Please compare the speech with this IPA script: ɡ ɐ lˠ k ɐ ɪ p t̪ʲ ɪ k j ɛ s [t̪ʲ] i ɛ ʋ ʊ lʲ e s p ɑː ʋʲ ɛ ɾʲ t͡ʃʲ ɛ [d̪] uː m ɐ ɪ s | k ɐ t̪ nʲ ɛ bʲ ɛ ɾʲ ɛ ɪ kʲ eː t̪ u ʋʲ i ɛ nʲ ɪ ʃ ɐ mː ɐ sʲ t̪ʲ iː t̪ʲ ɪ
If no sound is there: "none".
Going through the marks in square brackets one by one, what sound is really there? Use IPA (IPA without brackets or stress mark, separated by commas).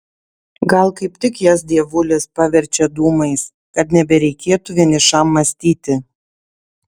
d̪ʲ, d̪